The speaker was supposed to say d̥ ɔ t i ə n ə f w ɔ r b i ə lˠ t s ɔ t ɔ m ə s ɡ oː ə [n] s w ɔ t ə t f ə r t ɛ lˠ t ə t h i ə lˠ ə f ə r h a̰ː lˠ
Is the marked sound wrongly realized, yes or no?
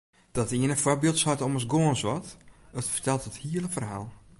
no